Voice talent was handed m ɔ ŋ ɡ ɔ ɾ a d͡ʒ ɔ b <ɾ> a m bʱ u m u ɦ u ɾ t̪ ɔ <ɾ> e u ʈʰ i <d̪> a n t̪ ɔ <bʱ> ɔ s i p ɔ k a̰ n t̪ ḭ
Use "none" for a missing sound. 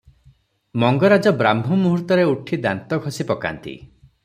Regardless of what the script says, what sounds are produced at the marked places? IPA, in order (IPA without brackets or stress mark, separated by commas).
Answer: ɾ, ɾ, d̪, ɡʱ